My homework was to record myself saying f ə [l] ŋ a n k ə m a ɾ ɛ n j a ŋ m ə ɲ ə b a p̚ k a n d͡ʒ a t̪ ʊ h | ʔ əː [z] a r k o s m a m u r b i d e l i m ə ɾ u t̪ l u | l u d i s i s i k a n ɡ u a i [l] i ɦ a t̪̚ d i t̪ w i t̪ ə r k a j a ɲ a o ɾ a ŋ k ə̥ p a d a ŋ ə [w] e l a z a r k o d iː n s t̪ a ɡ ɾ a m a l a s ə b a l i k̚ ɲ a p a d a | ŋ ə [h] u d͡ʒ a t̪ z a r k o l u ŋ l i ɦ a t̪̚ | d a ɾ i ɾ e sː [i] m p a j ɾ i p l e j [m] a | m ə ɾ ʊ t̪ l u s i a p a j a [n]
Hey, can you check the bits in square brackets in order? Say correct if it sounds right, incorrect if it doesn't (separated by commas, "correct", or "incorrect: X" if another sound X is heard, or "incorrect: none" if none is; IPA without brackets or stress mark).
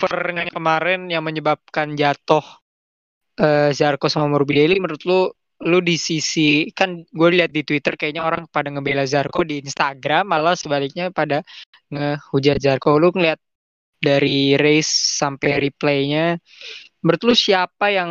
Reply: incorrect: r, correct, correct, incorrect: b, correct, incorrect: a, incorrect: ɲ, incorrect: ŋ